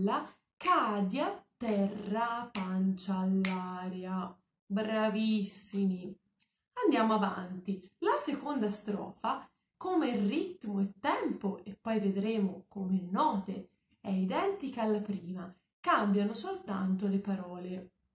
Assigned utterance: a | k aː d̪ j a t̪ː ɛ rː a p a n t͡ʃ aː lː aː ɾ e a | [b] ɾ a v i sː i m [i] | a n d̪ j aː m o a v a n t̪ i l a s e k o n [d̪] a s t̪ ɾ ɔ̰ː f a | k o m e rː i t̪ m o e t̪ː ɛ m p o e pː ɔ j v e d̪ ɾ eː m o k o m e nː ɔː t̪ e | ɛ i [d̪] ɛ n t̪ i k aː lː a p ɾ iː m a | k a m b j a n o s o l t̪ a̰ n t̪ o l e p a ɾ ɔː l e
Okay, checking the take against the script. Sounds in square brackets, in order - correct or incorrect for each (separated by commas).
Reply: correct, correct, correct, correct